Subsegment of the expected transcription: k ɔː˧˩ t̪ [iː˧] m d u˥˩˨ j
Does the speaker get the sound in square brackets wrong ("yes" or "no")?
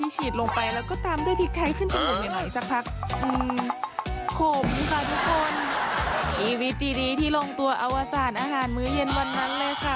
yes